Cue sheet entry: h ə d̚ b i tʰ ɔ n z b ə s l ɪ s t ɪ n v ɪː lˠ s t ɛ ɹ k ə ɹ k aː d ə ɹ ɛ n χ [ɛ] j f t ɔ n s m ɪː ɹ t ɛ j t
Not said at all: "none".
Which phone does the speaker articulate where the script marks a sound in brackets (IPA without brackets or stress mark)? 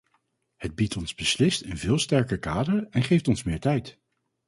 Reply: e